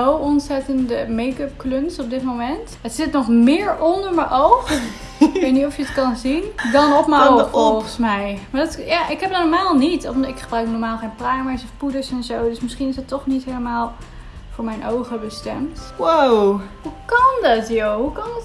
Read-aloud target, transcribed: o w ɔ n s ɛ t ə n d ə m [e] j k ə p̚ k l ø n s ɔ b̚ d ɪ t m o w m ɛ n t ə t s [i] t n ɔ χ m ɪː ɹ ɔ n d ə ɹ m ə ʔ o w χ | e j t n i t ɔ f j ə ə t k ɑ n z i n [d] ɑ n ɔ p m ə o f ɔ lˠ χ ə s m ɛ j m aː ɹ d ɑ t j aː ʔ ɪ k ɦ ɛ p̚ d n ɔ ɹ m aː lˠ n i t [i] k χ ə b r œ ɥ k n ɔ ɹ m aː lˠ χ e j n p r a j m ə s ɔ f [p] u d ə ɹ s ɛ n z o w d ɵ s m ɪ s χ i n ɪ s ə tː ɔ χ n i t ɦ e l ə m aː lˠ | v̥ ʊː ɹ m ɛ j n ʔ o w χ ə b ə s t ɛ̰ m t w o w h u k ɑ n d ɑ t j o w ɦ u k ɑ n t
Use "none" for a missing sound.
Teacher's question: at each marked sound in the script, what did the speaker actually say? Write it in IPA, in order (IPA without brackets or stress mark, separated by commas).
e, ɪ, d, ɪ, p